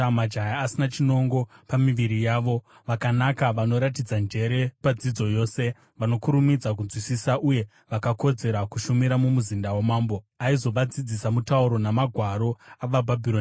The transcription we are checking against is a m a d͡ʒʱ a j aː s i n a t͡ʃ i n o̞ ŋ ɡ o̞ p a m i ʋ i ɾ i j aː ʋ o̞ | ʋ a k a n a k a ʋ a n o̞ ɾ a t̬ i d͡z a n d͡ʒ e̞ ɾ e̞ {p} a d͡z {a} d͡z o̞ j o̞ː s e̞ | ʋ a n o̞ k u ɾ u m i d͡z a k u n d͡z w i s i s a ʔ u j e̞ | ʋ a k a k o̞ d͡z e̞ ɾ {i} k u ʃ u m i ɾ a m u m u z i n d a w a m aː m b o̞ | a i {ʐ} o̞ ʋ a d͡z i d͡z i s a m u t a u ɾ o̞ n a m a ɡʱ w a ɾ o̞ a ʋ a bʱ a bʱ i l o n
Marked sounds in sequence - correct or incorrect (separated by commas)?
correct, incorrect, incorrect, incorrect